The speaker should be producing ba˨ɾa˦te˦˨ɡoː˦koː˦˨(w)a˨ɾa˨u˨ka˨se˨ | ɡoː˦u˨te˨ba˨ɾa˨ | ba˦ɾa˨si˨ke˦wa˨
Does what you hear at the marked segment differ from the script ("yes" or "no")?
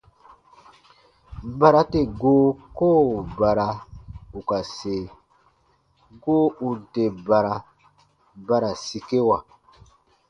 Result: yes